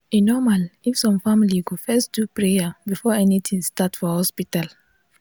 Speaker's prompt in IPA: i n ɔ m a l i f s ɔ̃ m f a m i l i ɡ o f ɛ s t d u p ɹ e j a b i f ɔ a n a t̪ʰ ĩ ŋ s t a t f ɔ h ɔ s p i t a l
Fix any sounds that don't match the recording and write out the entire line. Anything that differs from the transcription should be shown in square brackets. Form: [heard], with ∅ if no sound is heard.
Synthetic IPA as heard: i n ɔ m a l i f s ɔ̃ m f a m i l i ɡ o f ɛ s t d u p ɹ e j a b i f ɔ [ɛ] n [i] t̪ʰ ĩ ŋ s t a t f ɔ h ɔ s p i t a l